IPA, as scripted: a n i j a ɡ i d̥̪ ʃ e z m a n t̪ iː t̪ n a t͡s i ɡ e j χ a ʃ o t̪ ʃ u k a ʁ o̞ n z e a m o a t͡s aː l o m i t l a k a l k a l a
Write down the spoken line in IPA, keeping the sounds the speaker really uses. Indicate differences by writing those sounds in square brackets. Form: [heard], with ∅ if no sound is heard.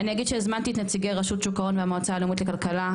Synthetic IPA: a n i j a ɡ i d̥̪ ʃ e z m a n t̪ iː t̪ n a t͡s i ɡ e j [ʁ] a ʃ [u] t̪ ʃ u k a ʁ o̞ n [v] e a m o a t͡s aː l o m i t l [e] k a l k a l a